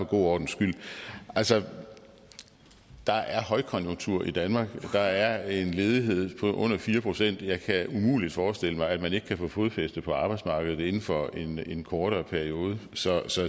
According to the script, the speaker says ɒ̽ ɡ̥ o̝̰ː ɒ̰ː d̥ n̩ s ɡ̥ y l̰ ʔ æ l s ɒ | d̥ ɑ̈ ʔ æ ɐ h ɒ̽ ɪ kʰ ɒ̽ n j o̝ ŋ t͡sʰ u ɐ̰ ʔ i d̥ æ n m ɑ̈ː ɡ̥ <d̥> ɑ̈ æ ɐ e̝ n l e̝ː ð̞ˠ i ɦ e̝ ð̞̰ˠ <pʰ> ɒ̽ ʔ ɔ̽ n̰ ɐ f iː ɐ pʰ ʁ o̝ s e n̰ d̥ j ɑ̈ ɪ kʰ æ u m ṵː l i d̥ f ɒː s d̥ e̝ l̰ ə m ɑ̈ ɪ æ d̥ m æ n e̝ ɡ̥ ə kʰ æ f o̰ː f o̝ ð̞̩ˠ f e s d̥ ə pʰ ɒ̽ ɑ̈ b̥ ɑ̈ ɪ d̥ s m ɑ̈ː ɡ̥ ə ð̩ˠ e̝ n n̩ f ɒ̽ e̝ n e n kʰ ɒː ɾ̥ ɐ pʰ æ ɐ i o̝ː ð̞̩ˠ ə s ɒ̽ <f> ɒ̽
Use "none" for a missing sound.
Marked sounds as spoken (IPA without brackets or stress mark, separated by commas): d̥, pʰ, s